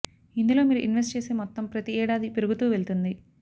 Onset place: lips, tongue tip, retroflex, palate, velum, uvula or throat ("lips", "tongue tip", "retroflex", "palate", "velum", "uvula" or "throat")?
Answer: tongue tip